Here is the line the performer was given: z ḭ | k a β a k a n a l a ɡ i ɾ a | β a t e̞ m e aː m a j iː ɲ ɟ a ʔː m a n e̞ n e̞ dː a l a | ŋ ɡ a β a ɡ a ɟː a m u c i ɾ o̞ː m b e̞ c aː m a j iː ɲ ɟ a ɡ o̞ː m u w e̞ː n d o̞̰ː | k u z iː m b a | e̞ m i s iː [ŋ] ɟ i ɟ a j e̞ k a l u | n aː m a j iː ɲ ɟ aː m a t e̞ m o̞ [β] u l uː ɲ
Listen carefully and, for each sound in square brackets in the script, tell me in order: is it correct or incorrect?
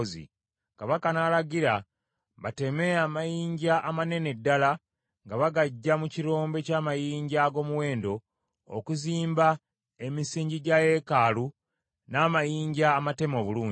incorrect, correct

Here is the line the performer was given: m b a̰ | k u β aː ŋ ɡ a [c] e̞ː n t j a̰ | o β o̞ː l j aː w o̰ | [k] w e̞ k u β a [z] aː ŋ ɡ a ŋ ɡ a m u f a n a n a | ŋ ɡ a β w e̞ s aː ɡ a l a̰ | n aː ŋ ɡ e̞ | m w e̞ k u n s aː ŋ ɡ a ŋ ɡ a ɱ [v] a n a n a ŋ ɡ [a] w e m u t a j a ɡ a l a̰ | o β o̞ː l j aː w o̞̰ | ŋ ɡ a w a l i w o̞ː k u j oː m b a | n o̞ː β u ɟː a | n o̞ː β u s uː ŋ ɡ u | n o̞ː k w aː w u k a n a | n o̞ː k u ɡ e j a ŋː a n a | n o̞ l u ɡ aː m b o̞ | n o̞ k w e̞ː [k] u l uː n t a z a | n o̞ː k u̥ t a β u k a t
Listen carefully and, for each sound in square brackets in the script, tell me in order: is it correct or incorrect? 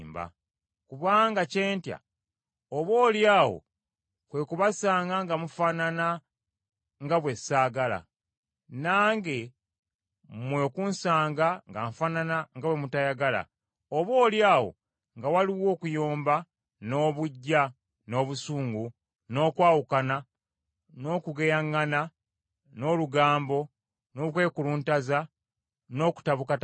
correct, correct, incorrect, incorrect, correct, correct

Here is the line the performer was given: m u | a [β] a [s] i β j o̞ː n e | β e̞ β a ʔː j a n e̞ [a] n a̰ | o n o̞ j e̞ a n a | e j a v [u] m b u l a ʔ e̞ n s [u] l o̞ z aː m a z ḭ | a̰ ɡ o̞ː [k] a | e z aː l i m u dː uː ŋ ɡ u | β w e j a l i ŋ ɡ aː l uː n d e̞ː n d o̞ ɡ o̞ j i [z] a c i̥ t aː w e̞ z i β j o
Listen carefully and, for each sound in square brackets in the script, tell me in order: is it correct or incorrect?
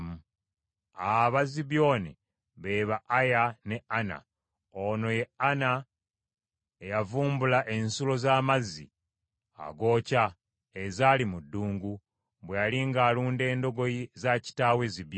correct, incorrect, correct, incorrect, correct, incorrect, correct

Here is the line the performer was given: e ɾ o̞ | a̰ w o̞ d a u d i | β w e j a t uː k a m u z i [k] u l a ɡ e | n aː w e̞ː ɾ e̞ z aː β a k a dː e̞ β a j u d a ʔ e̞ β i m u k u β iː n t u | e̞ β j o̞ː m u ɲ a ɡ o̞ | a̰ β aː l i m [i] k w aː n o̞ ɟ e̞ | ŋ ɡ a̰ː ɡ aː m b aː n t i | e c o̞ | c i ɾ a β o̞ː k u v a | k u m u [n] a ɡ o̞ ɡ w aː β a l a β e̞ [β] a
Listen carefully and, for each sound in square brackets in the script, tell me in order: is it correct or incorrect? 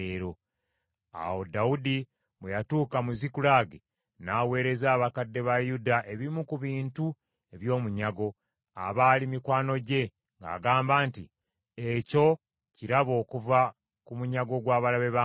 correct, correct, incorrect, correct

